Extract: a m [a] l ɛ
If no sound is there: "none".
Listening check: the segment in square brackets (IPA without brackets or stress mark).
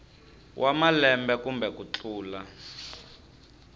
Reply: a